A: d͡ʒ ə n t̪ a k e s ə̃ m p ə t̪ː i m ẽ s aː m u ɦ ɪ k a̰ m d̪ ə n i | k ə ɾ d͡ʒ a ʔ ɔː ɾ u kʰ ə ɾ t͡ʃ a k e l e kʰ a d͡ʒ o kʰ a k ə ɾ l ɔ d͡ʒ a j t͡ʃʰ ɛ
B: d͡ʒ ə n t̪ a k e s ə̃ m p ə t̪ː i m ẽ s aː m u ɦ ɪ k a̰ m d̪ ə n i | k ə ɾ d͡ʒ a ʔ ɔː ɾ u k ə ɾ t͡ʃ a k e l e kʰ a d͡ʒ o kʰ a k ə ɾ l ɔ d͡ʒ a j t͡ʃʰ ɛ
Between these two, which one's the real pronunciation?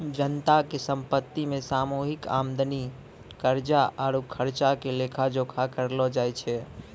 A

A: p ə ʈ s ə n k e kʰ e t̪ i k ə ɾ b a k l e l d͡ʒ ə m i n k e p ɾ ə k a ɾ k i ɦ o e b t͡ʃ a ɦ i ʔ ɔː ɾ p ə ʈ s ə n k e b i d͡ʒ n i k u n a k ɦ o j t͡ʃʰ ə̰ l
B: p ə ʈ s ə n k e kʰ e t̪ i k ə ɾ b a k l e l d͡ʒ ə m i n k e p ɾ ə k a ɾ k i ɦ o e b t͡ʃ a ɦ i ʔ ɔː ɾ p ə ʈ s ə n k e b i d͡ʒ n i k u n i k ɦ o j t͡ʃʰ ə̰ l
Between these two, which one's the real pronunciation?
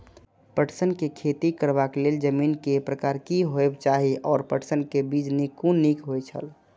B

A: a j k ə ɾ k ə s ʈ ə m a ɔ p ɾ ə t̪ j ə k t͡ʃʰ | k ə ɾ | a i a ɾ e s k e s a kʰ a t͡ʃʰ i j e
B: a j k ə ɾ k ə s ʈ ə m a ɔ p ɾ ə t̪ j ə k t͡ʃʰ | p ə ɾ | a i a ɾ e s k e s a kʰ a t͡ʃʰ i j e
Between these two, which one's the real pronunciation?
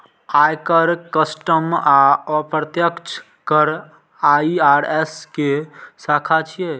A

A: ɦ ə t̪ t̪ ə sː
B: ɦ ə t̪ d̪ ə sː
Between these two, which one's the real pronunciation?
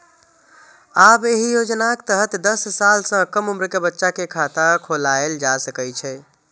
B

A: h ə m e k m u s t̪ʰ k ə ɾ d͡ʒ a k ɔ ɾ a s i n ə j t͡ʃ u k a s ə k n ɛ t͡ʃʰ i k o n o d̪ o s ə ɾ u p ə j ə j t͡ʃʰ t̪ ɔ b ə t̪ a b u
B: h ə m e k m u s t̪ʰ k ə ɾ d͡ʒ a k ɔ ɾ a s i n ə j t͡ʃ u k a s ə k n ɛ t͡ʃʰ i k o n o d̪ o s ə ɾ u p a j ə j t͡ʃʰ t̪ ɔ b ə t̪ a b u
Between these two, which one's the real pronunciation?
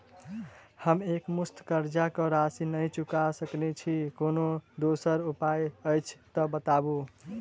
B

